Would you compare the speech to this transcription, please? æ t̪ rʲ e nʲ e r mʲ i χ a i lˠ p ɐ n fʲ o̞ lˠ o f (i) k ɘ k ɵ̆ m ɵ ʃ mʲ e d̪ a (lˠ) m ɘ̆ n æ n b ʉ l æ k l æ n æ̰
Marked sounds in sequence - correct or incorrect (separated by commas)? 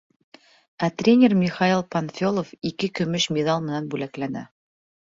correct, correct